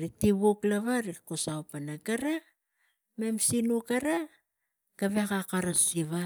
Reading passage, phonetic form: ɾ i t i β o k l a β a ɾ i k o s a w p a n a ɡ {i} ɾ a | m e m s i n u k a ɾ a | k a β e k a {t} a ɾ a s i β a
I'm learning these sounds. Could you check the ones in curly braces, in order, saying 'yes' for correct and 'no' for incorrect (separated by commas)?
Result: no, no